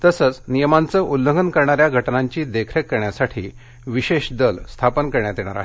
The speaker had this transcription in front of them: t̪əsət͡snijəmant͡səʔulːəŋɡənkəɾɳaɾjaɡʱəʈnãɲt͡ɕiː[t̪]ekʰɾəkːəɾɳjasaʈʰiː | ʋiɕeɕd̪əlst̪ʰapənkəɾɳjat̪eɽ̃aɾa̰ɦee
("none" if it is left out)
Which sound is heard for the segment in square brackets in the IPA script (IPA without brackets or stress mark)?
d̪